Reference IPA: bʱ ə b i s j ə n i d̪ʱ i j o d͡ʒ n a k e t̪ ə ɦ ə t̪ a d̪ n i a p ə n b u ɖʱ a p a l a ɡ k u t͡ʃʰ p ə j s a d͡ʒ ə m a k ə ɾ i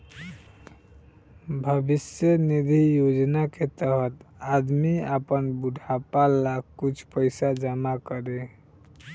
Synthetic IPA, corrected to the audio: bʱ ə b i s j ə n i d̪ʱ i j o d͡ʒ n a k e t̪ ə ɦ ə t̪ a d̪ m i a p ə n b u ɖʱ a p a l a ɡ k u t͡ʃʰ p ə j s a d͡ʒ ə m a k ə ɾ e